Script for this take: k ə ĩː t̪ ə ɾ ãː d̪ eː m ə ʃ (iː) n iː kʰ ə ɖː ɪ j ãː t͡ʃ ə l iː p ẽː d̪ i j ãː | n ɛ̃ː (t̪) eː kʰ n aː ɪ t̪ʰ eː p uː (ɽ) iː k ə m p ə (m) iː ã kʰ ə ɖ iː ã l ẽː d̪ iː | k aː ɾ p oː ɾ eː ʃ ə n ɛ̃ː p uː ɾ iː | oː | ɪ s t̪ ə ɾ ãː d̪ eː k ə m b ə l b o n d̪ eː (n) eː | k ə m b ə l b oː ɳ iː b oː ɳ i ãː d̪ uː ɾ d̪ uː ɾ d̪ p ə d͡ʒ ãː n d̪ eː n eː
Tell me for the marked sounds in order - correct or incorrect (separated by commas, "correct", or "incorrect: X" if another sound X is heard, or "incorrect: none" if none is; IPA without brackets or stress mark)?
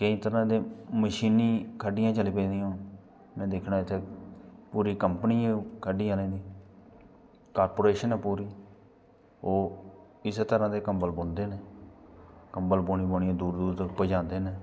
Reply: correct, incorrect: d̪, incorrect: ɾ, incorrect: n, correct